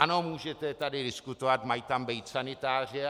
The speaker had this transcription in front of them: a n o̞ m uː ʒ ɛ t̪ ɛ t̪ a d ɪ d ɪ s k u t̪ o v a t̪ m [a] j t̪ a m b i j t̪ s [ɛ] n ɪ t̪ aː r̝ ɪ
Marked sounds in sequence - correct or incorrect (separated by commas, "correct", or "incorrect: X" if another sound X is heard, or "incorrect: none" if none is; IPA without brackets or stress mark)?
correct, incorrect: a